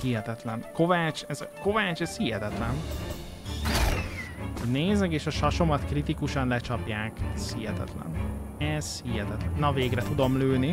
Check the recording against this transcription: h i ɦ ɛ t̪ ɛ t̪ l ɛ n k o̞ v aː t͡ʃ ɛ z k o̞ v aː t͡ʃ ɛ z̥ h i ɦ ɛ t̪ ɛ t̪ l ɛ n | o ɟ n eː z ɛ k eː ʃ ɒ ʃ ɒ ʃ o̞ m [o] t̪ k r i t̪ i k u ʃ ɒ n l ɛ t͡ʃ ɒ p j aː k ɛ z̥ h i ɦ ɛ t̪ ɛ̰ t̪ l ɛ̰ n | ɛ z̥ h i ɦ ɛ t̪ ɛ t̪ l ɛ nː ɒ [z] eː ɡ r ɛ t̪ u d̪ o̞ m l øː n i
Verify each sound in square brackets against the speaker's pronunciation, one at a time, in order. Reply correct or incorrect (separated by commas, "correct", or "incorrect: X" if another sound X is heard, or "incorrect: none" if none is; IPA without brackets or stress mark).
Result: incorrect: ɒ, incorrect: v